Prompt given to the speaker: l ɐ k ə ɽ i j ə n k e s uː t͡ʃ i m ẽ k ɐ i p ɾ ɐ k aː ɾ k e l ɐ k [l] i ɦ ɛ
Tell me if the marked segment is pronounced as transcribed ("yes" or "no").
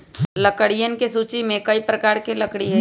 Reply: no